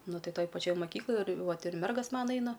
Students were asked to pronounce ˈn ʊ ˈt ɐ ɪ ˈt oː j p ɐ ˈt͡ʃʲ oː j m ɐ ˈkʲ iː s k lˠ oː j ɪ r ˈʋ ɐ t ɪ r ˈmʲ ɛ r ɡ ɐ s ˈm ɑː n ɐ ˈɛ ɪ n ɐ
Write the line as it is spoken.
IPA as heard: ˈn ʊ ˈt ɐ ɪ ˈt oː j p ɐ ˈt͡ʃʲ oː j m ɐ ˈkʲ iː k lˠ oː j ɪ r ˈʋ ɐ t ɪ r ˈmʲ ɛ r ɡ ɐ s ˈm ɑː n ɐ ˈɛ ɪ n ɐ